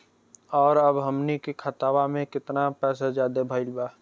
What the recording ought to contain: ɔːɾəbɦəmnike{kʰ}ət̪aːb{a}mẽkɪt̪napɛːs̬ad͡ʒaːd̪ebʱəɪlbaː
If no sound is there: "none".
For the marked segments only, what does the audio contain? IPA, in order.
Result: kʰ, a

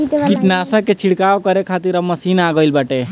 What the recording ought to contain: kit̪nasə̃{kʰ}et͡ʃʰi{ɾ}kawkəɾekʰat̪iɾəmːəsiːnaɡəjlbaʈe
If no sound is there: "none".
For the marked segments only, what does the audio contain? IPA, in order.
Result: k, ɽ

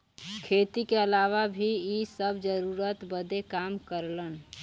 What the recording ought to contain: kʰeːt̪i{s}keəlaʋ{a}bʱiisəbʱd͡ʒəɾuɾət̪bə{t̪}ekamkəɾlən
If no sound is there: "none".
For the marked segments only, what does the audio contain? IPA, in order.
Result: none, a, d̪

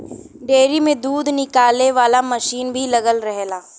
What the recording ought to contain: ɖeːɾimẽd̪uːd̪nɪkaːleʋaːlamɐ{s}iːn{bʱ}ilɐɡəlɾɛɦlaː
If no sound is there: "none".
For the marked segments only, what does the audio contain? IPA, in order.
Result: ʃ, bʱ

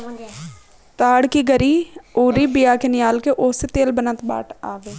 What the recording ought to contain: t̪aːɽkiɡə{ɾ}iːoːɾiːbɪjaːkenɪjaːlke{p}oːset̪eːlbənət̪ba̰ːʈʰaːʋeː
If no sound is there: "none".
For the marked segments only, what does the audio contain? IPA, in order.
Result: ɾ, ʔ

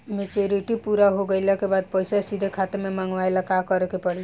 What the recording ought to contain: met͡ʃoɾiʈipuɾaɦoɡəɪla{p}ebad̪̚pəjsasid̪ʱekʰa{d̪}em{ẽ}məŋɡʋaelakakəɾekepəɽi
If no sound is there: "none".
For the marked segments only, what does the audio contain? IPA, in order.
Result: k, t̪, e

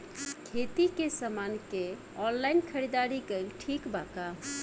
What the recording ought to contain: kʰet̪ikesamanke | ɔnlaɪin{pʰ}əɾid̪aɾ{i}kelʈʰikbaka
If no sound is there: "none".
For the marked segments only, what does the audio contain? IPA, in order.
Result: kʰ, i

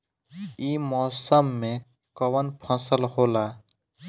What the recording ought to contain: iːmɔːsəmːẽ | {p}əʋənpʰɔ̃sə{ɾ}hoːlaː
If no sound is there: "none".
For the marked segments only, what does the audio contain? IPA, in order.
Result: k, l

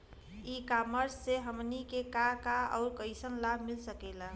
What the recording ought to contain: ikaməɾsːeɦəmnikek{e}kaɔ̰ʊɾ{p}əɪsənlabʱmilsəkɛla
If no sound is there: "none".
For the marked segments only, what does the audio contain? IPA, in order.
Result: a, k

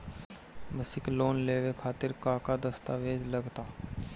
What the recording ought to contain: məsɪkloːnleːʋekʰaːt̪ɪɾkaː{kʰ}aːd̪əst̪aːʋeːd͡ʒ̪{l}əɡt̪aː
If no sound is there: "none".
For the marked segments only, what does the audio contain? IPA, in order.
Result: k, l

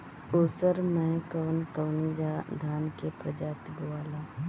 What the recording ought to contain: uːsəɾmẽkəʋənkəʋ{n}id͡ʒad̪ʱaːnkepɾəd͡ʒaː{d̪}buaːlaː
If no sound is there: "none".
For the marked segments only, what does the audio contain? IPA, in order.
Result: n, t̪

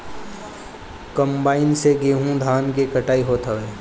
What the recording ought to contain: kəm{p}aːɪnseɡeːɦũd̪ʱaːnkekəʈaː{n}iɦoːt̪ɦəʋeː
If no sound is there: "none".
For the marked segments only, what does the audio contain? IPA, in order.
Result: b, none

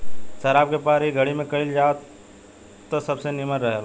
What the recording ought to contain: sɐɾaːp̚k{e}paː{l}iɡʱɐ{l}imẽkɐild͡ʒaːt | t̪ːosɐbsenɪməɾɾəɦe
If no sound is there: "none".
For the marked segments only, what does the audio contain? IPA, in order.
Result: e, ɾ, ɽ

